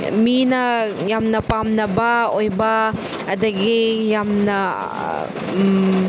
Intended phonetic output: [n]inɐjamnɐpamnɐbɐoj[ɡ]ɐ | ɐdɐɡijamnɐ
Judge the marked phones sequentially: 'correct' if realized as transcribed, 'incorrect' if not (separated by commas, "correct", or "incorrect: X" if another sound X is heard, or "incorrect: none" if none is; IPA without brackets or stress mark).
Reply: incorrect: m, incorrect: b